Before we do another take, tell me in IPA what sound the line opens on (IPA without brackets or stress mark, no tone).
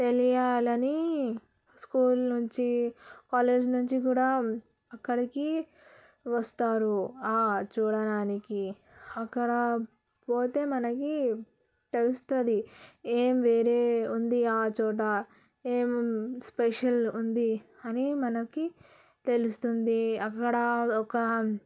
t̪